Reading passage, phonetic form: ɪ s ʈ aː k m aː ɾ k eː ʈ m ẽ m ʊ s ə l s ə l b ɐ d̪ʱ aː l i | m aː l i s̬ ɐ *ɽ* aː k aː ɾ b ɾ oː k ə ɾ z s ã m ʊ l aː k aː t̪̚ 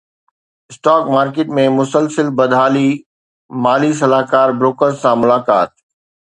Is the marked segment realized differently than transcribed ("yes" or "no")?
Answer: yes